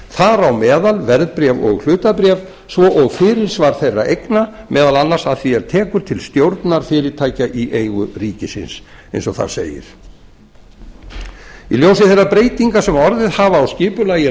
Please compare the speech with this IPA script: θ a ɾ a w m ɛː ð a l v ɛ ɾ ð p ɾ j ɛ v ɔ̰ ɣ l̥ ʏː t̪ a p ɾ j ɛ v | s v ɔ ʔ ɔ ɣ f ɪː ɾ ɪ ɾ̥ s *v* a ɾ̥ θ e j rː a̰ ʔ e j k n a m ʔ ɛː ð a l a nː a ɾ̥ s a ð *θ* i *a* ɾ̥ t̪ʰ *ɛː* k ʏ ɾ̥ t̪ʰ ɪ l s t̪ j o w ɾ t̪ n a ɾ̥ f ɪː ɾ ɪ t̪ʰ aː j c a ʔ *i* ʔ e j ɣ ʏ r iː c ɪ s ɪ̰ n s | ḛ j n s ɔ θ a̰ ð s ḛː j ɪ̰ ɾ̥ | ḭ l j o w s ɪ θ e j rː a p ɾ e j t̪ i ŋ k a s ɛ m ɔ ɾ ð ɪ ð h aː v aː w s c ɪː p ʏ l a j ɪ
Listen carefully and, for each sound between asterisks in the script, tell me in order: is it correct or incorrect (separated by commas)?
correct, correct, incorrect, correct, correct